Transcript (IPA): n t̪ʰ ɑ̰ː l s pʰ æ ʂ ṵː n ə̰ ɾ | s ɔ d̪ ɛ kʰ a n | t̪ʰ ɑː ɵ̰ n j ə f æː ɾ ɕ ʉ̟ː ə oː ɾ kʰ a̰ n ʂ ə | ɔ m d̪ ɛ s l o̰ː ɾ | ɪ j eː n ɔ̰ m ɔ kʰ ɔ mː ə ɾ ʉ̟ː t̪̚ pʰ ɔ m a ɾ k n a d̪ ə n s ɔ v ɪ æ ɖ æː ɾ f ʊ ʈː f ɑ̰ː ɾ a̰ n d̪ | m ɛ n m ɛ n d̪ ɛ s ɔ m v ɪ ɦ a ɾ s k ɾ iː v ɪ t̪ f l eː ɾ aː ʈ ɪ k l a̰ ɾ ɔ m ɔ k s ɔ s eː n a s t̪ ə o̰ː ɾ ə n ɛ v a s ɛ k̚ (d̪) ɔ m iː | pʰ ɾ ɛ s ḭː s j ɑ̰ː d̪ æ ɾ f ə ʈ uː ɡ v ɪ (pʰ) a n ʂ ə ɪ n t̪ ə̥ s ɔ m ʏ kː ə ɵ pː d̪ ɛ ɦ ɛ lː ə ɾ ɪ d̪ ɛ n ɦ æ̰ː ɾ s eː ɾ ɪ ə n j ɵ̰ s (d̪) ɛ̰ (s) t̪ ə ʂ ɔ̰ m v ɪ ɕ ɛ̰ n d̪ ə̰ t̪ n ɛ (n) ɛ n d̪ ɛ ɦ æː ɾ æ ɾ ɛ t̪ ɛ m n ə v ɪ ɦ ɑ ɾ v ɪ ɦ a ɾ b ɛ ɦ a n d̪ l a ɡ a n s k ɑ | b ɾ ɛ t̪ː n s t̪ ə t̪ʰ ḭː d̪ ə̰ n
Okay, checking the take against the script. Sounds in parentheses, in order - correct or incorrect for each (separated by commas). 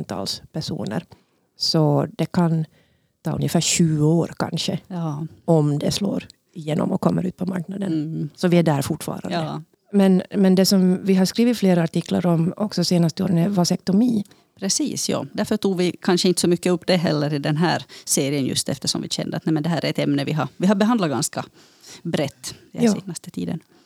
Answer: incorrect, incorrect, incorrect, incorrect, incorrect